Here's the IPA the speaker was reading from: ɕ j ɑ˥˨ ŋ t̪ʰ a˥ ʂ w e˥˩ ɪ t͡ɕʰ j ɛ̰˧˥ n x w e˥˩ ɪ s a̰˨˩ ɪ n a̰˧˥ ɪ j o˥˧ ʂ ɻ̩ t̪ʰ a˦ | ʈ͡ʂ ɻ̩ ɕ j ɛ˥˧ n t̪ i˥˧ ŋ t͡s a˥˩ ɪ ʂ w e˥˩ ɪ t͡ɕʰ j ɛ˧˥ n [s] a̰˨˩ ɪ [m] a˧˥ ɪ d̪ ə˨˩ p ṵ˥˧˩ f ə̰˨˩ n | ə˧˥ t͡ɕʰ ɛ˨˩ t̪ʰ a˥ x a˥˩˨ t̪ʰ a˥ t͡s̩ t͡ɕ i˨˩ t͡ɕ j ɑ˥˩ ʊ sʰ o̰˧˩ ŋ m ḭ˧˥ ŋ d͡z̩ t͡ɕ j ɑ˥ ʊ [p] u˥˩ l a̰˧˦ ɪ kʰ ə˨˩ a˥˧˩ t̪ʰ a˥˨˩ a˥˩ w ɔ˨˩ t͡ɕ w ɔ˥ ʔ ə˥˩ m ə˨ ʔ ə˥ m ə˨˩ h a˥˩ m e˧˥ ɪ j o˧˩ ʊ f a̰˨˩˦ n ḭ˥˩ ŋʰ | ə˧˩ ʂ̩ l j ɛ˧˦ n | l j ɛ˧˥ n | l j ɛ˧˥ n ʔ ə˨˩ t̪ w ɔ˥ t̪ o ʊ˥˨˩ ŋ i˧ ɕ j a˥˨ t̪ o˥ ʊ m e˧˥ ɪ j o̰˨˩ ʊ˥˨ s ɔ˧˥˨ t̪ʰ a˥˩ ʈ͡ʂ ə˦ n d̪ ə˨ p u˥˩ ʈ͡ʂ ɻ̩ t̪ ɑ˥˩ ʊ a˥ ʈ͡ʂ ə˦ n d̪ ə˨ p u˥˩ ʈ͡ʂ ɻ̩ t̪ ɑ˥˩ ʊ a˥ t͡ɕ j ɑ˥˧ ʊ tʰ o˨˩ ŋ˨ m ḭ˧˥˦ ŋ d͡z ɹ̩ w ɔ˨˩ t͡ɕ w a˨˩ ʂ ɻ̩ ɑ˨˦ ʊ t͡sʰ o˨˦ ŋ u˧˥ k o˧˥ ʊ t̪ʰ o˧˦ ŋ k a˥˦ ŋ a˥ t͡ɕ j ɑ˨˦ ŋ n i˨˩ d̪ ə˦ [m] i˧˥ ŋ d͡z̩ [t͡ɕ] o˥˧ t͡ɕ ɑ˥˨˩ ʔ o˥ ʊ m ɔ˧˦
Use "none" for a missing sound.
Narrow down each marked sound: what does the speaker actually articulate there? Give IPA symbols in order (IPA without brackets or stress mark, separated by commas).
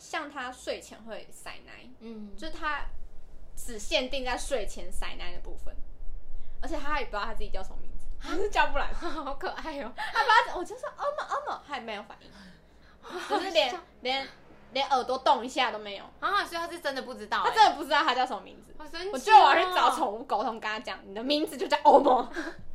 s, n, p, m, t͡ɕ